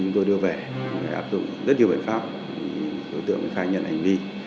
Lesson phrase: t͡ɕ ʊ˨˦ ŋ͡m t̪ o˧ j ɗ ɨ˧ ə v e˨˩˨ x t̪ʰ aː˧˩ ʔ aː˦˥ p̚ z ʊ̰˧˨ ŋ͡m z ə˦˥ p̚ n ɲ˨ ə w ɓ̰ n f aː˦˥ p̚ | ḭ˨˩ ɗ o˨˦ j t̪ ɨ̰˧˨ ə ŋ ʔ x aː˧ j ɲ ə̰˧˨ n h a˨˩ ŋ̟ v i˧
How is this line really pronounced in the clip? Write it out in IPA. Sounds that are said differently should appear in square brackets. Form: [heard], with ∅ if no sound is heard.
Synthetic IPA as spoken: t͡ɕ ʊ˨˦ ŋ͡m t̪ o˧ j ɗ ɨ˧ ə v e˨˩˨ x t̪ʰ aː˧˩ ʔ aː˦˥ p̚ z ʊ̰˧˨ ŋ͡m z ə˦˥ [t̚] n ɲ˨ ə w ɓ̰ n f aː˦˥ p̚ | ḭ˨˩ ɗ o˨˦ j t̪ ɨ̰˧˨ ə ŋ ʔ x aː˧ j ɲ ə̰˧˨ n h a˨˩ ŋ̟ v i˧